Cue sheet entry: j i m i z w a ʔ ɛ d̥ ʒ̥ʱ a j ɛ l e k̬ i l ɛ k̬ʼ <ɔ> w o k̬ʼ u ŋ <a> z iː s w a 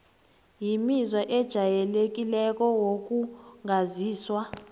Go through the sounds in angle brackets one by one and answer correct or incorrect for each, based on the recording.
correct, correct

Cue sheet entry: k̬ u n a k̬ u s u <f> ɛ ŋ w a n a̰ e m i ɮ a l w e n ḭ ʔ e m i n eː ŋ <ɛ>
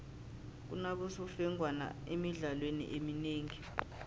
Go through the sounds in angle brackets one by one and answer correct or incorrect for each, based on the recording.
correct, incorrect: i

